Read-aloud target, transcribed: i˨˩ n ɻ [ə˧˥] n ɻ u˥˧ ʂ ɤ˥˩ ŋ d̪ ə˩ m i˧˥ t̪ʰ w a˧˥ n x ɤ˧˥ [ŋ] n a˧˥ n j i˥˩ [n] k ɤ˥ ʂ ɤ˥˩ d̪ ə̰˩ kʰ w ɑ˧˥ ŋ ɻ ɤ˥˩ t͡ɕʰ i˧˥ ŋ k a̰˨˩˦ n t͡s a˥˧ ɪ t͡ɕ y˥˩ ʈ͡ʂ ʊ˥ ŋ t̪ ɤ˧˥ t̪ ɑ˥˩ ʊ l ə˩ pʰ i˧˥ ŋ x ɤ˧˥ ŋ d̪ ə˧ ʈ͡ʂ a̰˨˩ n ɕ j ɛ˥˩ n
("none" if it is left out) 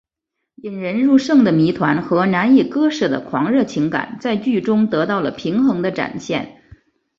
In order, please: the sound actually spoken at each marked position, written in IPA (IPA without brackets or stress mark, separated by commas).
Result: ə˧˥, none, none